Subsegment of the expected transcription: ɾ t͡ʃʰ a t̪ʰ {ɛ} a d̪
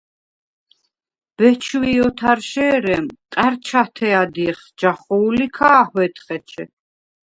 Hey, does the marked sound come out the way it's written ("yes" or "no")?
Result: yes